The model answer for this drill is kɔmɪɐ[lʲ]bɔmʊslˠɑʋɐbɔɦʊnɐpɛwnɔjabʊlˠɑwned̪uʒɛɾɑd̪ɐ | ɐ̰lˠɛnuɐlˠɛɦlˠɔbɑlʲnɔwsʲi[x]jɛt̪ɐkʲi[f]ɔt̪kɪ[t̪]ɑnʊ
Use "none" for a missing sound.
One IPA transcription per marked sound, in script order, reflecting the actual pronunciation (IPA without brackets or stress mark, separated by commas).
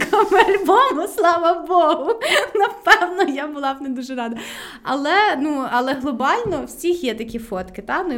lʲ, x, f, t̪